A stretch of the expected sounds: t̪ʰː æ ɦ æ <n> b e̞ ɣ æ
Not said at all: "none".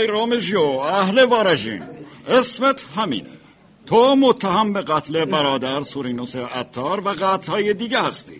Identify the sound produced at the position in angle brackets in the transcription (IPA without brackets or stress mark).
m